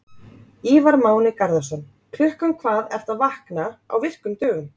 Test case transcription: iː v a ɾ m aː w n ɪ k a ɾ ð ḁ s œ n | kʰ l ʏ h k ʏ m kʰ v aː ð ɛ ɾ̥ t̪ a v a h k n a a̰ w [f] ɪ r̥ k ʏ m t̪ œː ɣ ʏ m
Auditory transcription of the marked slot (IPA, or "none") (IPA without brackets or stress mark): v